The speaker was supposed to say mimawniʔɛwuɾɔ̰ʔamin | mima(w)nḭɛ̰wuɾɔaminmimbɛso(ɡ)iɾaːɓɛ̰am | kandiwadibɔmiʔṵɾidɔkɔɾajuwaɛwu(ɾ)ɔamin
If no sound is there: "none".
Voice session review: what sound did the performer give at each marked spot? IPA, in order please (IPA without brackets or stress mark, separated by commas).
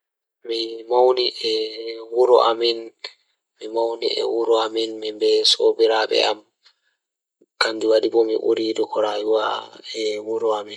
w, b, ɾ